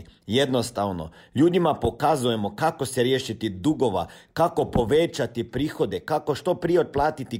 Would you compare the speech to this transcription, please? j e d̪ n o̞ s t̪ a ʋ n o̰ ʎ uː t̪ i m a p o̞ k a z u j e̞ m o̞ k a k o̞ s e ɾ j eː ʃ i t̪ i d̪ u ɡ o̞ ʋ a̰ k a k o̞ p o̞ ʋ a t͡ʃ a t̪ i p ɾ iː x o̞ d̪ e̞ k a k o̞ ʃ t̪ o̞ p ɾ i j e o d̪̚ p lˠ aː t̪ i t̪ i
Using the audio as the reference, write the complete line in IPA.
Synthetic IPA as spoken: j e d̪ n o̞ s t̪ a ʋ n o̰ ʎ uː d̪ i m a p o̞ k a z u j e̞ m o̞ k a k o̞ s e ɾ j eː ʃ i t̪ i d̪ u ɡ o̞ ʋ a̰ k a k o̞ p o̞ ʋ e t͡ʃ a t̪ i p ɾ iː x o̞ d̪ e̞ k a k o̞ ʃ t̪ o̞ p ɾ i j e o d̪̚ p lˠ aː t̪ i t̪ i